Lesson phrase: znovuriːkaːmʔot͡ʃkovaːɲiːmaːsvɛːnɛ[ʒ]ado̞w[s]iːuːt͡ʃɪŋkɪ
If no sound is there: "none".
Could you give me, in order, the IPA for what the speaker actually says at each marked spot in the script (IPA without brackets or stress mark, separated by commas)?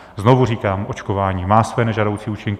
ʒ, t͡s